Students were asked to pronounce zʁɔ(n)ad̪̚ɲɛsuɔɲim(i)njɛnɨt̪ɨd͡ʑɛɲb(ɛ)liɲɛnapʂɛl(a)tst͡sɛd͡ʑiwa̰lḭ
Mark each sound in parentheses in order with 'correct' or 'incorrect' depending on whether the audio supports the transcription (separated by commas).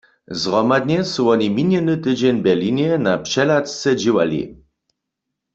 incorrect, correct, correct, correct